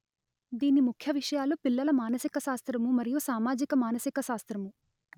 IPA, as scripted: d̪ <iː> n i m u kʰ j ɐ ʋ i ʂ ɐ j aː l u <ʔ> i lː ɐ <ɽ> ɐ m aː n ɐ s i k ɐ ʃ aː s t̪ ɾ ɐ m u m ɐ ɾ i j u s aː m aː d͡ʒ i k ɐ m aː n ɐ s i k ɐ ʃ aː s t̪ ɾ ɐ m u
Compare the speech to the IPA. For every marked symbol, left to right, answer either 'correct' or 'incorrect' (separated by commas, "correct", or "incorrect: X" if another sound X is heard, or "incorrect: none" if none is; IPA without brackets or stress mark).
correct, incorrect: p, incorrect: l